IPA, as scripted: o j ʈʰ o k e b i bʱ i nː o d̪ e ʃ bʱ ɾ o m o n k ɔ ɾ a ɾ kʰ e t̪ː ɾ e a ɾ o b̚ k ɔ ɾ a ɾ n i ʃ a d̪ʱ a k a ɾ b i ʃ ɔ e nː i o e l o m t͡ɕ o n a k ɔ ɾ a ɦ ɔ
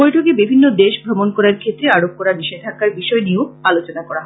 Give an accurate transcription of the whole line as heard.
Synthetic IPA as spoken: o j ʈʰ o k e b i bʱ i nː o d̪ e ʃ bʱ ɾ o m o n k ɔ ɾ a ɾ kʰ e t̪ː ɾ e a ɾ o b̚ k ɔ ɾ a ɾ n i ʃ e d̪ʱ a k a ɾ b i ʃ ɔ e n i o a l o t͡ɕ o n a k ɔ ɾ a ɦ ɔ

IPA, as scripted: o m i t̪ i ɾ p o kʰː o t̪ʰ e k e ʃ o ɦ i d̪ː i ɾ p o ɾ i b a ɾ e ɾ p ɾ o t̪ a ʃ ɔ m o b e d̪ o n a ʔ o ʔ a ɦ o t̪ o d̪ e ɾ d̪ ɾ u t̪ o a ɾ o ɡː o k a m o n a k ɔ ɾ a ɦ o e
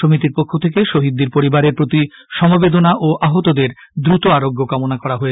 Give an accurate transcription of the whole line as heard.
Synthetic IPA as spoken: o m i t̪ i ɾ p o kʰː o t̪ʰ e k e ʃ o ɦ i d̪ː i ɾ p o ɾ i b a ɾ e ɾ p ɾ o t̪ i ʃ ɔ m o b e d̪ o n a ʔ o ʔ a ɦ o t̪ o d̪ e ɾ d̪ ɾ u t̪ o a ɾ o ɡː o k a m o n a k ɔ ɾ a ɦ o e

